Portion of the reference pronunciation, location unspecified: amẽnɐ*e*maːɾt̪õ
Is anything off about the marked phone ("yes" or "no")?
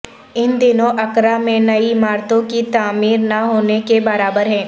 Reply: yes